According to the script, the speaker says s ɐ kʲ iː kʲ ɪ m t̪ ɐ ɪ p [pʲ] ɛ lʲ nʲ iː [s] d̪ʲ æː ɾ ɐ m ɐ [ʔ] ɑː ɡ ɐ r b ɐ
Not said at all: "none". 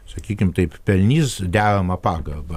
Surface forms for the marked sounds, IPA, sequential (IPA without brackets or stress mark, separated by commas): pʲ, s, p